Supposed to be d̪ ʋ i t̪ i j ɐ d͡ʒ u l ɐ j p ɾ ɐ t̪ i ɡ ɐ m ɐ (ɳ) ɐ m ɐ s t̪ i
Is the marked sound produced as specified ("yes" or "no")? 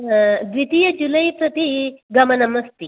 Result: no